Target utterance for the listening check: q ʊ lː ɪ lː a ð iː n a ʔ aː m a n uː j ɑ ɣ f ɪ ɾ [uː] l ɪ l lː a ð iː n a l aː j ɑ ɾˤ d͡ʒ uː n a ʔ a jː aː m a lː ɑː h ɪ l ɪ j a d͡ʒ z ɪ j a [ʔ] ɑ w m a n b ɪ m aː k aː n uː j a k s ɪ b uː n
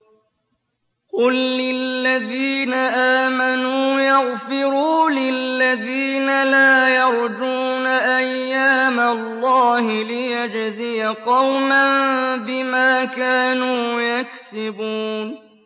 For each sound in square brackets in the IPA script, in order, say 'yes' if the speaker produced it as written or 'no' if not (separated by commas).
yes, no